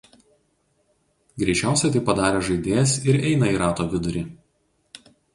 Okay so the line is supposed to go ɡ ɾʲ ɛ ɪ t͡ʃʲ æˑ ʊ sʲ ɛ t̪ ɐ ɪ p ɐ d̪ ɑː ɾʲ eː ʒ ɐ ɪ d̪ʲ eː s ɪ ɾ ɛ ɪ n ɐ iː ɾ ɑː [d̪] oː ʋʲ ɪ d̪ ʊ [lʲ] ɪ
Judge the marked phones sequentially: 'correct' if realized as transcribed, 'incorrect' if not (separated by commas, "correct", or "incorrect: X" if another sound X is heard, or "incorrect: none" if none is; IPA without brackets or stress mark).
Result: incorrect: t̪, incorrect: ɾʲ